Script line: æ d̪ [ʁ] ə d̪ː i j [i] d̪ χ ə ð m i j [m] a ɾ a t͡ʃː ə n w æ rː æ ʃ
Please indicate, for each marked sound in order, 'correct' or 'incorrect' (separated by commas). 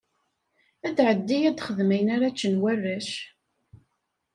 incorrect, incorrect, incorrect